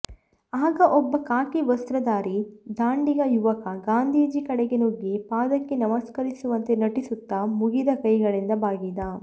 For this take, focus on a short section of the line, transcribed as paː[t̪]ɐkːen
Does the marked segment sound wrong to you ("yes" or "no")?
yes